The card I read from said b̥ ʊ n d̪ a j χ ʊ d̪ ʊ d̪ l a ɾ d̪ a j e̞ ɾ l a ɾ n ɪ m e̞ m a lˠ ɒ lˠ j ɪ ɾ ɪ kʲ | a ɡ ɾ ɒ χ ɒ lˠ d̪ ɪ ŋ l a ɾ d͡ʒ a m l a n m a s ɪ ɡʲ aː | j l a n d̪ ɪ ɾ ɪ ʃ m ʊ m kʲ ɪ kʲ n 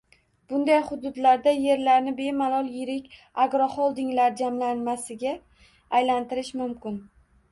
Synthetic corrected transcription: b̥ ʊ n d̪ a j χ ʊ d̪ ʊ d̪ l a ɾ d̪ a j e̞ ɾ l a ɾ n ɪ b e̞ m a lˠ ɒ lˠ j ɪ ɾ ɪ kʲ | a ɡ ɾ ɒ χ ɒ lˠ d̪ ɪ ŋ l a ɾ d͡ʒ a m l a n m a s ɪ ɡʲ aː | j l a n t̪ ɪ ɾ ɪ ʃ m ʊ m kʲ ɪ n

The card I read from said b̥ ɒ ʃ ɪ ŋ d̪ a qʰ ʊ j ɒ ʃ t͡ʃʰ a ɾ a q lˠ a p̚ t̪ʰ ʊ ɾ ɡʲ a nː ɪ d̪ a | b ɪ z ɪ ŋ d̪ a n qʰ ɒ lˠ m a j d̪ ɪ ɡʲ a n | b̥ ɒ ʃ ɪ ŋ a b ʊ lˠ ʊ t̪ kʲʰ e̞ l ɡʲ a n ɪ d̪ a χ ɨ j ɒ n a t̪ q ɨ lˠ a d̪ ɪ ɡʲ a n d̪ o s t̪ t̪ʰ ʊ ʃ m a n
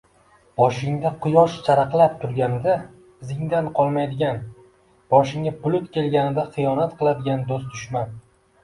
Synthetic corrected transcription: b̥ ɒ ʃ ɪ ŋ d̪ a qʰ ʊ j ɒ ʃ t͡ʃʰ a ɾ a q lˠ a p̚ t̪ʰ ʊ ɾ ɡʲ a n ɪ d̪ a | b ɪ z ɪ ŋ d̪ a n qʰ ɒ lˠ m a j d̪ ɪ ɡʲ a n | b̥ ɒ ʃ ɪ ŋ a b ʊ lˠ ʊ t̪ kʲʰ e̞ l ɡʲ a n ɪ d̪ a χ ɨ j ɒ n a t̪ q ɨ lˠ a d̪ ɪ ɡʲ a n d̪ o s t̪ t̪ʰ ʊ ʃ m a n

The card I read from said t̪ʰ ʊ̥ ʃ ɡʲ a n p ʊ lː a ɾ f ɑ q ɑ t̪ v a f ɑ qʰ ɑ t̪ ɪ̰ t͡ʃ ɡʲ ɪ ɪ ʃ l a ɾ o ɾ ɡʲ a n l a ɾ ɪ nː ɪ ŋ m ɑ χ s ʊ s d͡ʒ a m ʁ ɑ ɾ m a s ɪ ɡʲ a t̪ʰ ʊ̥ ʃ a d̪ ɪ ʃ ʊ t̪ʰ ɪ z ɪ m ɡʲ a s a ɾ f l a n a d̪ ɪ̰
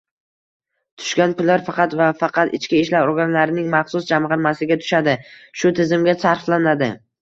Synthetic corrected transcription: t̪ʰ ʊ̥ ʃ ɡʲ a n p ʊ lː a ɾ f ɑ q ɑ t̪ v a f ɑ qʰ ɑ t̪ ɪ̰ t͡ʃ kʲ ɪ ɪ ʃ l a ɾ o ɾ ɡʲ a n l a ɾ ɪ n ɪ ŋ m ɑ χ s ʊ s d͡ʒ a m ʁ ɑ ɾ m a s ɪ ɡʲ a t̪ʰ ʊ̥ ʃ a d̪ ɪ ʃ ʊ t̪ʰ ɪ z ɪ m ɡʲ a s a ɾ f l a n a d̪ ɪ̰

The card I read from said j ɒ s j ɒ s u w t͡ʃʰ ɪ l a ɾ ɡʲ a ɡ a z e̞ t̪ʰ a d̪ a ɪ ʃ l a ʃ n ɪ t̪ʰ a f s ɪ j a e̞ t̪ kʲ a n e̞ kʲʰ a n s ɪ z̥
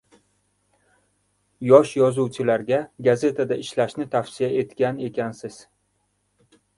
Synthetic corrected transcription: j ɒ ʃ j ɒ z u w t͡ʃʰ ɪ l a ɾ ɡʲ a ɡ a z e̞ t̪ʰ a d̪ a ɪ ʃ l a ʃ n ɪ t̪ʰ a f s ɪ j a e̞ t̪ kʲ a n e̞ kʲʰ a n s ɪ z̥

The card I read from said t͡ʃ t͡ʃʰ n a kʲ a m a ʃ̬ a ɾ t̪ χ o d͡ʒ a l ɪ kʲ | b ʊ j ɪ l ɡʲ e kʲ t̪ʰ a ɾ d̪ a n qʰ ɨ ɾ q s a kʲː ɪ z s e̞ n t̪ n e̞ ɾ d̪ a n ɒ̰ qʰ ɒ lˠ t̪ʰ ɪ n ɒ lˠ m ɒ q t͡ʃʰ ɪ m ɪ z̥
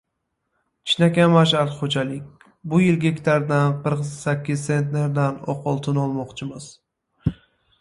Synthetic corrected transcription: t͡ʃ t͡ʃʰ n a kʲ a m a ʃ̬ a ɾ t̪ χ o d͡ʒ a l ɪ kʲ | b ʊ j ɪ l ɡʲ e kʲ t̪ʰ a ɾ d̪ a n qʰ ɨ ɾ q s a kʲː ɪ z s e̞ n t̪ n e̞ ɾ d̪ a n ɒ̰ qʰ ɒ lˠ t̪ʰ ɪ n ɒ lˠ m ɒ q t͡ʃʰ ɪ m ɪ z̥

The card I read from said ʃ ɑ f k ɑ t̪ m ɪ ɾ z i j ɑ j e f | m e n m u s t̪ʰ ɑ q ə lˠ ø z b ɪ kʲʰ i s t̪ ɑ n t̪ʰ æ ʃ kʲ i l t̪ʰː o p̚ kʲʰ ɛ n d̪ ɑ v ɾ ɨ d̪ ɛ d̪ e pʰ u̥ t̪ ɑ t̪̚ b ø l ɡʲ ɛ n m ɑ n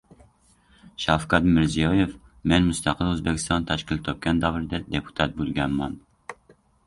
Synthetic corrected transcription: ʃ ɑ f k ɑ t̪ m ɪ ɾ z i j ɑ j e f | m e n m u s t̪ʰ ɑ q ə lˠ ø z b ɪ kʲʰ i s t̪ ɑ n t̪ʰ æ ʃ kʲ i l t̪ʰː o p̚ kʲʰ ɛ n d̪ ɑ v ɾ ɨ d̪ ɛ d̪ e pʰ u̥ t̪ʰ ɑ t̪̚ b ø l ɡʲ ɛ n m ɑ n

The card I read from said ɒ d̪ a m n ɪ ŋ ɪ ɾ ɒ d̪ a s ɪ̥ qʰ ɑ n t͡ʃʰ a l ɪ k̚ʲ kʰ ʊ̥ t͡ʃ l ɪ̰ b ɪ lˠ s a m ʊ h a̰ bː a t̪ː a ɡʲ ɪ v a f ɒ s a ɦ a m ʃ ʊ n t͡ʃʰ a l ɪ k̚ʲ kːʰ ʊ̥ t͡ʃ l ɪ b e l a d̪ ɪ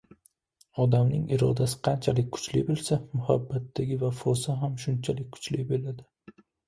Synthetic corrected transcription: ɒ d̪ a m n ɪ ŋ ɪ ɾ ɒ d̪ a s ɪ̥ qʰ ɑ n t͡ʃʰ a l ɪ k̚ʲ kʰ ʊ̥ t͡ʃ l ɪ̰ b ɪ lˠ s a m ʊ h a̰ bː a t̪ː a ɡʲ ɪ v a f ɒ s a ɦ a m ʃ ʊ n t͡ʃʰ a l ɪ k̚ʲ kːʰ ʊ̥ t͡ʃ l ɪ b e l a d̪ ɪ

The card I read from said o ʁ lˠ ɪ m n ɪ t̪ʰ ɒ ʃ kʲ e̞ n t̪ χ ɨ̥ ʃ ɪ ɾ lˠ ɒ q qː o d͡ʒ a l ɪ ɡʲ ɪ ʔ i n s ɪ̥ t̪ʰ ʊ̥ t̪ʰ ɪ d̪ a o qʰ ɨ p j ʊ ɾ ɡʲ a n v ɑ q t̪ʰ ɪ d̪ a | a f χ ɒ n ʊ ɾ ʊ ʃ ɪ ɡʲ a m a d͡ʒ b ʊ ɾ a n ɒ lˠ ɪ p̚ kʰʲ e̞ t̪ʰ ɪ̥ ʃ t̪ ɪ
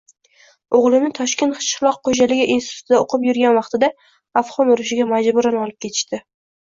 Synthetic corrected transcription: o ʁ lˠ ɪ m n ɪ t̪ʰ ɒ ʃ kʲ e̞ n t̪ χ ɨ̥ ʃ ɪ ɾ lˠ ɒ q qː o d͡ʒ a l ɪ ɡʲ ɪ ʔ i n s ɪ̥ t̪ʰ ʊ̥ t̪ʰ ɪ d̪ a o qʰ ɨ p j ʊ ɾ ɡʲ a n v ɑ q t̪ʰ ɪ d̪ a | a f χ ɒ n ʊ ɾ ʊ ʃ ɪ ɡʲ a m a d͡ʒ b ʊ ɾ a n ɒ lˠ ɪ p̚ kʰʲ e̞ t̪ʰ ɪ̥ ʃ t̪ ɪ

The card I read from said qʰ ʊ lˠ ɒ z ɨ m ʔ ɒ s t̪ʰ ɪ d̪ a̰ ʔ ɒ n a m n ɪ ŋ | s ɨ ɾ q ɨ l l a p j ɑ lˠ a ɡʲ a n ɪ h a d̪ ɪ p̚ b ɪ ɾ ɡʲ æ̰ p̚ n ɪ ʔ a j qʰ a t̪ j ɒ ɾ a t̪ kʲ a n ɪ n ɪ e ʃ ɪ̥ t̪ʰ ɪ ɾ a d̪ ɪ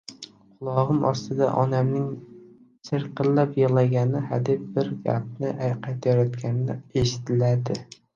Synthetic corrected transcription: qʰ ʊ lˠ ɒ ʁ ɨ m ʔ ɒ s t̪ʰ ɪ d̪ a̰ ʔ ɒ n a m n ɪ ŋ | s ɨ ɾ q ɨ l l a p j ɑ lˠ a ɡʲ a n ɪ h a d̪ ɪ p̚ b ɪ ɾ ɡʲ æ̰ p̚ n ɪ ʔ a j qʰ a t̪ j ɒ ɾ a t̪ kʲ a n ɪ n ɪ e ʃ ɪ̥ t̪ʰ ɪ l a d̪ ɪ

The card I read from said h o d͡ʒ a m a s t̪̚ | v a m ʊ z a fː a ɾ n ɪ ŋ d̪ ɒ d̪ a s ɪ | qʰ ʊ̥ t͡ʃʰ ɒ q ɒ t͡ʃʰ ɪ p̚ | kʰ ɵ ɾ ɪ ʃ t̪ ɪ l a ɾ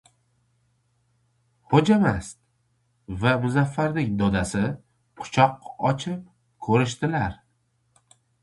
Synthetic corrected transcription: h o d͡ʒ a m a s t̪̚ | v a m ʊ z a fː a ɾ n ɪ ŋ d̪ ɒ d̪ a s ɪ | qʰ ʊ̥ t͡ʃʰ ɒ q ɒ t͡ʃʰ ɪ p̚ | kʰ ɵ ɾ ɪ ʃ t̪ ɪ l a ɾ

